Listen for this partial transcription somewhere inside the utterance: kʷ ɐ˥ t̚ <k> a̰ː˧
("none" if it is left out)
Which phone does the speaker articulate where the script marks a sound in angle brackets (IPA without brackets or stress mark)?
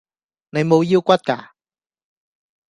k